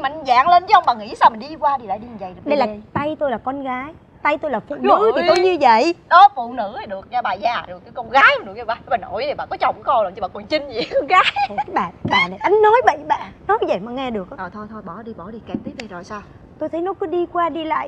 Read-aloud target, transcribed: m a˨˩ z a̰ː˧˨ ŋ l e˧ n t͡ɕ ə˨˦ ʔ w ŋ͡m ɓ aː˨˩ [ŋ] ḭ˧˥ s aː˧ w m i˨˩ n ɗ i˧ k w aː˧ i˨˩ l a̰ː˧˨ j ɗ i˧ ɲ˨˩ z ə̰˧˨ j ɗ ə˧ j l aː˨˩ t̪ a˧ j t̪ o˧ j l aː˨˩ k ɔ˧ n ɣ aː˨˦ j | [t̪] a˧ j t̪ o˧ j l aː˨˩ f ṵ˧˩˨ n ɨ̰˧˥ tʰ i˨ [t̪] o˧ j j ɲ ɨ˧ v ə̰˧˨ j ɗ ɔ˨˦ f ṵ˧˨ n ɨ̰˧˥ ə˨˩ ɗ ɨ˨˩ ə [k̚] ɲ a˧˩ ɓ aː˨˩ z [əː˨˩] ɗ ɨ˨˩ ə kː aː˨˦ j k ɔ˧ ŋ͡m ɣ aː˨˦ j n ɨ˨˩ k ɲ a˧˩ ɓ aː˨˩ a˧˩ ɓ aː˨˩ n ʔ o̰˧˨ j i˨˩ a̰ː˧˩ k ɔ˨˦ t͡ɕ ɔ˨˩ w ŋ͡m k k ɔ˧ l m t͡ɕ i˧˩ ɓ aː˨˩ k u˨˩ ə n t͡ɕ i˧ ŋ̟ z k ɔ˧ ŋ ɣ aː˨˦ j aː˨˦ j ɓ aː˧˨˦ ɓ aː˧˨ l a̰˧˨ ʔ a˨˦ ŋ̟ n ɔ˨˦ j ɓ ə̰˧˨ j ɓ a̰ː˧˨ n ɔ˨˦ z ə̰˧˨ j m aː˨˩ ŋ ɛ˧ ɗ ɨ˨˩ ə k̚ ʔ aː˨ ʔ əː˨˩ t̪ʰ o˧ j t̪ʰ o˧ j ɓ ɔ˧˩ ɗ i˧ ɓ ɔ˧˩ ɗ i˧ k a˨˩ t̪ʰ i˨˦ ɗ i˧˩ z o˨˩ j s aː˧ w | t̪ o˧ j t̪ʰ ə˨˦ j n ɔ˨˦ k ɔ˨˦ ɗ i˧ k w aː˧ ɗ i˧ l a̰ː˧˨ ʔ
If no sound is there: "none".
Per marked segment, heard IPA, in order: ŋ, t̪, t̪, k̚, aː˨˩

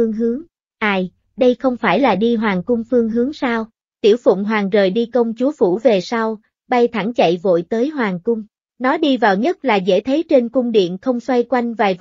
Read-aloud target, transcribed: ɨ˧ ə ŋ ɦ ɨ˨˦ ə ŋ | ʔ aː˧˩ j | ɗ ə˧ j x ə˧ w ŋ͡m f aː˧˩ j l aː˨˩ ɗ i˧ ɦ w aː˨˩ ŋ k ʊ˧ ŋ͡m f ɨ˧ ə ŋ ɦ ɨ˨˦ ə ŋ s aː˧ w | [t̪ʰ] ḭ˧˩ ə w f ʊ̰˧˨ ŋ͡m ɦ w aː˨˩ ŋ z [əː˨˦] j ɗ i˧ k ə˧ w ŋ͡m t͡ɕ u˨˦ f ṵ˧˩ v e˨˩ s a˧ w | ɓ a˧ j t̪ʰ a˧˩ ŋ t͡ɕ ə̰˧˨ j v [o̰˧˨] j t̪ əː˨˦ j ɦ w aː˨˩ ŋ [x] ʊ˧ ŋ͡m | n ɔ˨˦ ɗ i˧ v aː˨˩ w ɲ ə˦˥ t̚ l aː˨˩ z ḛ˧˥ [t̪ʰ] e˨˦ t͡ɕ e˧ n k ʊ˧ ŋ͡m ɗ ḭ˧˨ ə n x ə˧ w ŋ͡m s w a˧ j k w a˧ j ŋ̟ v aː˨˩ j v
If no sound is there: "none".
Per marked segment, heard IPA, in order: t̪, əː˨˩, o̰˧˨, k, t̪ʰ

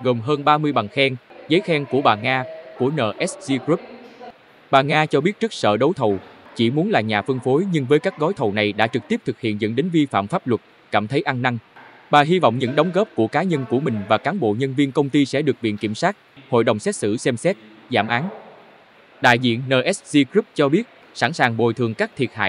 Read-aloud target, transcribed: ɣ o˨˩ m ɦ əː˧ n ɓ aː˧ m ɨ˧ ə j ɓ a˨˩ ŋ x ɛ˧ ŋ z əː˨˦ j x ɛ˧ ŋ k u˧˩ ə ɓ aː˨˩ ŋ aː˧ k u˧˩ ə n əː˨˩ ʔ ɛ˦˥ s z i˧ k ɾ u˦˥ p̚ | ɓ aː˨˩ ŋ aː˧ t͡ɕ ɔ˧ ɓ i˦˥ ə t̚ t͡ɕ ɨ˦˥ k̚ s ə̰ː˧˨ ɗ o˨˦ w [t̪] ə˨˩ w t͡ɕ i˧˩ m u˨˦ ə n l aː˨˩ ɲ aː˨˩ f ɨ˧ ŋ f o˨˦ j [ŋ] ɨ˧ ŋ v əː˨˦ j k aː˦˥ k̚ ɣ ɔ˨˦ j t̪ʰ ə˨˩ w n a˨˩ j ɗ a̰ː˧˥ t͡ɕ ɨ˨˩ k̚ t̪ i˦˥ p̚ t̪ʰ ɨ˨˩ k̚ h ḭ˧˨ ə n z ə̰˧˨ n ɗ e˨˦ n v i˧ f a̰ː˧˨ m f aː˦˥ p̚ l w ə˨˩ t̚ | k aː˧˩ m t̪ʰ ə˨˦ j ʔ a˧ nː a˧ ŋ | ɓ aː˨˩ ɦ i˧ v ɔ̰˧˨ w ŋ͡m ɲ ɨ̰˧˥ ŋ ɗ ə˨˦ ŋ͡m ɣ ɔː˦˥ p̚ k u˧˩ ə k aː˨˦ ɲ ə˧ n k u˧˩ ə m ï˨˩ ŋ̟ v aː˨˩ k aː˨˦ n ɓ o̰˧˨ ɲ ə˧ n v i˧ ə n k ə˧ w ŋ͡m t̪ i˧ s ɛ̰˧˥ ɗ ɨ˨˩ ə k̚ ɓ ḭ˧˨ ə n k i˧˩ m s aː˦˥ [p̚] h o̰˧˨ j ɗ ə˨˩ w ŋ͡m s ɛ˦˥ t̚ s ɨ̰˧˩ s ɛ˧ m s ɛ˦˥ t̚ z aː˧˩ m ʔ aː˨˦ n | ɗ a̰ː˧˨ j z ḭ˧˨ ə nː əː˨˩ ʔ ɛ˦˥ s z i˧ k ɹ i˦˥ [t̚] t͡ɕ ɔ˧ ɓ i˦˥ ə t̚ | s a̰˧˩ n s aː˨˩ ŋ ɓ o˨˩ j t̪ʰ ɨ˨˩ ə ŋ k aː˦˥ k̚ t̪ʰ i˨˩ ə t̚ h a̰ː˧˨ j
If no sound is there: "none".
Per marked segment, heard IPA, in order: t̪ʰ, ɲ, t̚, p̚

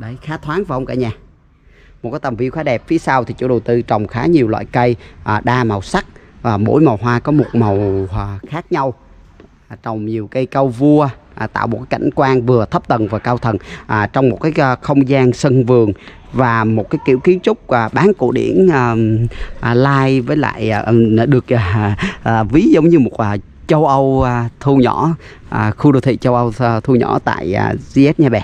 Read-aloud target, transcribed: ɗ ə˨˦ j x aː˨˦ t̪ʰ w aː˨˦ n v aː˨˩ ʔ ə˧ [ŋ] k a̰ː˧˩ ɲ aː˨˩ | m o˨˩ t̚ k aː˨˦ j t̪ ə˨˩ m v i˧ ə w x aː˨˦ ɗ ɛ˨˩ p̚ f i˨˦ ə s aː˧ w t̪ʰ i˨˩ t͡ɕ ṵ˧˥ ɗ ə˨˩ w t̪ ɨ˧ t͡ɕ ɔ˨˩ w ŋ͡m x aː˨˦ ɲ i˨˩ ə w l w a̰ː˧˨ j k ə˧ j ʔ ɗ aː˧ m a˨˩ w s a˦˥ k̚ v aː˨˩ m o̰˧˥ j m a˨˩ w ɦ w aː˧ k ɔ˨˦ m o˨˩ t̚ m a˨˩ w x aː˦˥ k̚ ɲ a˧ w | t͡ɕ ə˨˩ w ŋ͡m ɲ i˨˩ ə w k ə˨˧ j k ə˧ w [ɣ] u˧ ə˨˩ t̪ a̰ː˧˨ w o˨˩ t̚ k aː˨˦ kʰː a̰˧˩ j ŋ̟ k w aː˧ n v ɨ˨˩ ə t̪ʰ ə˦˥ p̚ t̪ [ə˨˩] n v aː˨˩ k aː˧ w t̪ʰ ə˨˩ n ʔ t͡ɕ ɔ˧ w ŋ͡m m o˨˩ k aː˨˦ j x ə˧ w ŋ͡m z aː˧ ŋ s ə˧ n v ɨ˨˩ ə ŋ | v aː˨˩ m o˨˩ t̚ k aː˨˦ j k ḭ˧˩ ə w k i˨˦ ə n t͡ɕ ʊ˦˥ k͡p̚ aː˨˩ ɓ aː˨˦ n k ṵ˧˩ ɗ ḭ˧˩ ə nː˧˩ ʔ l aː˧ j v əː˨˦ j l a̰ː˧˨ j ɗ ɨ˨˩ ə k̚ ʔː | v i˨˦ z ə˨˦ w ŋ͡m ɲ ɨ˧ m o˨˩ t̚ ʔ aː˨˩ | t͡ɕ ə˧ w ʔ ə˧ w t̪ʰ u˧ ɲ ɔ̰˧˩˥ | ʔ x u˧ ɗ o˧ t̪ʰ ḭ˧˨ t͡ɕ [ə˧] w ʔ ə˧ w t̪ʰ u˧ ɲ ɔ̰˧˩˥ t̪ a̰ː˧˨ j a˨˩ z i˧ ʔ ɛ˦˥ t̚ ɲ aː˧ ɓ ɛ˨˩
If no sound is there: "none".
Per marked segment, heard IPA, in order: ŋ͡m, v, ə˨˩, ə˧

